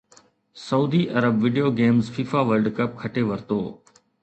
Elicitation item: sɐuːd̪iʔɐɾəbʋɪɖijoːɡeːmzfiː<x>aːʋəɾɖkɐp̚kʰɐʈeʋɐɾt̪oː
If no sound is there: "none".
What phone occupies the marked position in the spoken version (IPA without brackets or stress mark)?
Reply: f